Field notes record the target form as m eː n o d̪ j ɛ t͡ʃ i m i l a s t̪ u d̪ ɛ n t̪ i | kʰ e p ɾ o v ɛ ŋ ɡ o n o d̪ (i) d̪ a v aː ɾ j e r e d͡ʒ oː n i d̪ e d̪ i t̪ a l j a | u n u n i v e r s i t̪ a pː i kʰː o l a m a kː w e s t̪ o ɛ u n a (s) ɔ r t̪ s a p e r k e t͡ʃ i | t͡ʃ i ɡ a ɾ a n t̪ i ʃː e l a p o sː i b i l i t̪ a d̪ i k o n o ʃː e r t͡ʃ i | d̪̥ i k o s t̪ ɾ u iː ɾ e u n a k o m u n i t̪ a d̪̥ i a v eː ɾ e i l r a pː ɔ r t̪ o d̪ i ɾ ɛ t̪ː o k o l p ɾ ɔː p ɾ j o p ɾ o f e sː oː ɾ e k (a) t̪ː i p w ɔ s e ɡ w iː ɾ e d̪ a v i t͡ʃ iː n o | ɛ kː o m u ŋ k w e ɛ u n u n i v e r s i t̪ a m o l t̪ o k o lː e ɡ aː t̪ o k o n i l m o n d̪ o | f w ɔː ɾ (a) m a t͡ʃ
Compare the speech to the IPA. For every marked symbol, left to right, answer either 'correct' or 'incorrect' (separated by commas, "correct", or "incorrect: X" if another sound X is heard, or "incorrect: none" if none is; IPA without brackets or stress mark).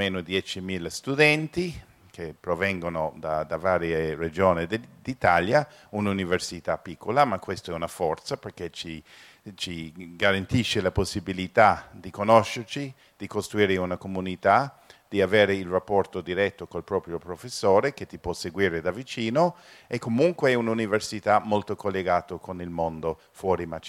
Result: incorrect: a, incorrect: f, incorrect: e, incorrect: i